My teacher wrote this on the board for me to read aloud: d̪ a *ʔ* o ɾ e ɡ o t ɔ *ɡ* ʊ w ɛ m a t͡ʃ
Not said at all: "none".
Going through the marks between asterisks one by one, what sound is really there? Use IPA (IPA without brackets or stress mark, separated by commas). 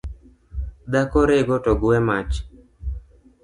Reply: k, ɡ